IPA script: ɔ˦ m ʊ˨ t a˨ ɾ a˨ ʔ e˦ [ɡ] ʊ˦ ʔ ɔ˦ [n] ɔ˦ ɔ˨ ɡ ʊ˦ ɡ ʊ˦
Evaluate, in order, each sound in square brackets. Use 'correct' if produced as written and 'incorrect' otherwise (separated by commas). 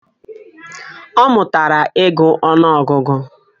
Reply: correct, correct